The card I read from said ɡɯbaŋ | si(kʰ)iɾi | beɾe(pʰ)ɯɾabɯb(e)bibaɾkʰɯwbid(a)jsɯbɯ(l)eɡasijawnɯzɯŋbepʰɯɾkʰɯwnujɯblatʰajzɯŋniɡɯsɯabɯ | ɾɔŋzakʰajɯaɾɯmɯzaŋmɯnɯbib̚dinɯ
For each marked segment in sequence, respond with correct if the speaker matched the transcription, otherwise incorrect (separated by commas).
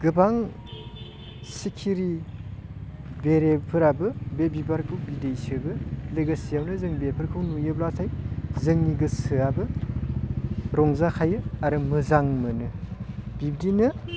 correct, correct, correct, incorrect, correct